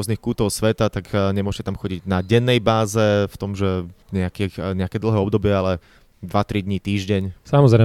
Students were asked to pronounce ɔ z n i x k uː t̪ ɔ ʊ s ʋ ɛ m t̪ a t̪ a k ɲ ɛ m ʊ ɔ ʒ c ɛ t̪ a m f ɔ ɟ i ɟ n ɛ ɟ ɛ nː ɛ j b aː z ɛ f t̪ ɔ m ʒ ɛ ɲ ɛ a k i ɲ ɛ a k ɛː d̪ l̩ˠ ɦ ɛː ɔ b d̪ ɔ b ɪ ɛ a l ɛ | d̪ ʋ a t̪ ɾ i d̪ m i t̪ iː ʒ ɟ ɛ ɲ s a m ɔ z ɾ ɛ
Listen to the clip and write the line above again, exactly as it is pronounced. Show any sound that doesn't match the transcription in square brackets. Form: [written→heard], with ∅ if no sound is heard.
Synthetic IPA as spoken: ɔ z n i x k uː t̪ ɔ ʊ s ʋ ɛ [m→∅] t̪ a t̪ a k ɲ ɛ m ʊ ɔ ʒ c ɛ t̪ a m [f→x] ɔ ɟ i ɟ n [ɛ→a] ɟ ɛ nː ɛ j b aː z ɛ f t̪ ɔ m ʒ ɛ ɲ ɛ a k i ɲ ɛ a k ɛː d̪ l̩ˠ ɦ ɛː ɔ b d̪ ɔ b ɪ ɛ a l ɛ | d̪ ʋ a t̪ ɾ i d̪ [m→ɲ] i t̪ iː ʒ ɟ ɛ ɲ s a m ɔ z ɾ ɛ